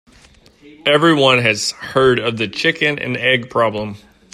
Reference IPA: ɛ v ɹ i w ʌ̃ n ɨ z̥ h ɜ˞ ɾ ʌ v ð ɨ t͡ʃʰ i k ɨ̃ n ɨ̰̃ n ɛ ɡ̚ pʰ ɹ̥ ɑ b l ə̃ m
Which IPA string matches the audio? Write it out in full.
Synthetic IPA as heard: ɛ v ɹ i w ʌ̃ n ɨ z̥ h ɜ˞ ɾ ʌ v ð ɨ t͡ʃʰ ɪ k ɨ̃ n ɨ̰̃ n ɛ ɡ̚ pʰ ɹ̥ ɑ b l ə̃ m